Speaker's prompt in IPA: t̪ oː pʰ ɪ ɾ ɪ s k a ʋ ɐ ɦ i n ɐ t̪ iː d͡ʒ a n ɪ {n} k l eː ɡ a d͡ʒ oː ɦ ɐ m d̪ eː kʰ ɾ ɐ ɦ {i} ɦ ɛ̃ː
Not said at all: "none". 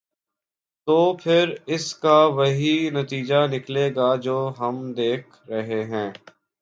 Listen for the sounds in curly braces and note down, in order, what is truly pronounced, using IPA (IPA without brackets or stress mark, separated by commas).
none, e